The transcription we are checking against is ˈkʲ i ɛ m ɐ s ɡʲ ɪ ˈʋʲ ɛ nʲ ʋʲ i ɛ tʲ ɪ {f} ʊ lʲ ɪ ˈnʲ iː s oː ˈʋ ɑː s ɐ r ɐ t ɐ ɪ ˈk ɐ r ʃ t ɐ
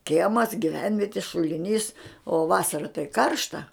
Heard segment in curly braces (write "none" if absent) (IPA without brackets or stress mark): ʃ